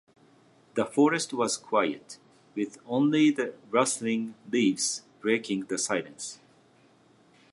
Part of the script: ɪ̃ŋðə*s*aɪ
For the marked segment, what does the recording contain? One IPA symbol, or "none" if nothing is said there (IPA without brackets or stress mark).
s